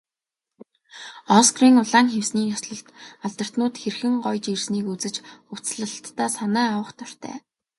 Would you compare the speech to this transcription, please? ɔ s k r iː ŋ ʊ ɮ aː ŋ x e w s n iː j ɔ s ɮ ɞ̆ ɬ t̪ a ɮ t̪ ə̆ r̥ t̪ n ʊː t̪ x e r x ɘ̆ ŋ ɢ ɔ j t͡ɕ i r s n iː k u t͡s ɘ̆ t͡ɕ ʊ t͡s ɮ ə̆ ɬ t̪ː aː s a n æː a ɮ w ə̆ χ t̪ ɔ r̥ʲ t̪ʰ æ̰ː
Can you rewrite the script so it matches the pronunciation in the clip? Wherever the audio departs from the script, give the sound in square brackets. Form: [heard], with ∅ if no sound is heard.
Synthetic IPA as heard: ɔ s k r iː ŋ ʊ ɮ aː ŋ x e w s n iː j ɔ s ɮ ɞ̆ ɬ t̪ a ɮ t̪ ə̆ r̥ t̪ n ʊː t̪ x e r x ɘ̆ ŋ ɢ ɔ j t͡ɕ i r s n iː k u t͡s ɘ̆ t͡ɕ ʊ t͡s ɮ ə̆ ɬ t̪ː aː s a n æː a [∅] w ə̆ χ t̪ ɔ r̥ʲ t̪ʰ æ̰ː